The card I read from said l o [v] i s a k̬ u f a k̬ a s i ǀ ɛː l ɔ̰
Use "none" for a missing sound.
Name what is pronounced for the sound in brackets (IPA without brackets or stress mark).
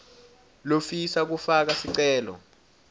f